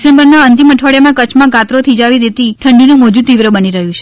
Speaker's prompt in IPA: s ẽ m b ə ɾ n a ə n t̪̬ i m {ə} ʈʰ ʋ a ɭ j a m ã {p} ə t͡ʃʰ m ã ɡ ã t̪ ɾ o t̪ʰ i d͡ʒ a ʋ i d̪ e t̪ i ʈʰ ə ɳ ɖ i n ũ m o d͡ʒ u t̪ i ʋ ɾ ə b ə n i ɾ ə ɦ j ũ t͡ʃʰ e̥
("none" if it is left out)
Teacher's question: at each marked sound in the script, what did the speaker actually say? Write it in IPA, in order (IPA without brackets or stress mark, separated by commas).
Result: ə, k